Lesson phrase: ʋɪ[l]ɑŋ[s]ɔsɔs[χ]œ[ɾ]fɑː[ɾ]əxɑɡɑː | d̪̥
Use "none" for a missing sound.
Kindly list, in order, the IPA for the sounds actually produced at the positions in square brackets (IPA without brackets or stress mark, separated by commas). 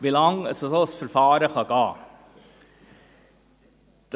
l, s, f, ɾ, ɾ